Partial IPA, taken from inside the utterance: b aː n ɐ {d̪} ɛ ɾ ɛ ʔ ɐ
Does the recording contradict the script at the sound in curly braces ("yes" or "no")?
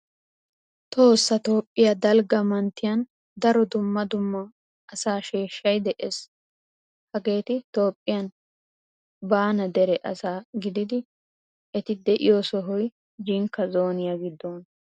no